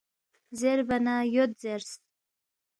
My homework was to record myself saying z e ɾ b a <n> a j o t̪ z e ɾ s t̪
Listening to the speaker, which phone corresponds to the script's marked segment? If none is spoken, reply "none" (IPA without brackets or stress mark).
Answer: n